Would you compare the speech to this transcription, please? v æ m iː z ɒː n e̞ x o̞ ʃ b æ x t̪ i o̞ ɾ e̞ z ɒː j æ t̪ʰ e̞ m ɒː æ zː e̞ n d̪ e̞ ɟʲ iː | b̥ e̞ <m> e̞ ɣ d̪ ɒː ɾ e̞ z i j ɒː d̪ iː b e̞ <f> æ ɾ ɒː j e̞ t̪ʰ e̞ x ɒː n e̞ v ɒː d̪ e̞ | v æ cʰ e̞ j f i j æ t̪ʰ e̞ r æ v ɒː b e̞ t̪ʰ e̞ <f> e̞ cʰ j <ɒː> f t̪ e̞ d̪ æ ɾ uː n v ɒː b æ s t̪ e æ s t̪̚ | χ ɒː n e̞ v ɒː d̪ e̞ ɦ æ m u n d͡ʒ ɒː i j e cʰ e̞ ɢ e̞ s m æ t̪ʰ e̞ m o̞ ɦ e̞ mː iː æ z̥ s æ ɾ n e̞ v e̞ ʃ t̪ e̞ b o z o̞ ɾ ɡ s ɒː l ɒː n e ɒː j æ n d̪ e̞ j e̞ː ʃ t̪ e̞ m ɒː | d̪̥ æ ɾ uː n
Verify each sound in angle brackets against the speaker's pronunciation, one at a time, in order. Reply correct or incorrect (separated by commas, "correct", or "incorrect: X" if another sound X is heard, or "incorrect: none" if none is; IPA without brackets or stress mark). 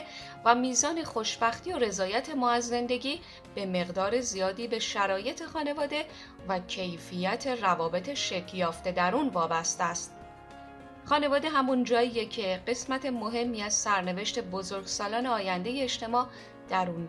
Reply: correct, incorrect: ʃ, incorrect: ʃ, correct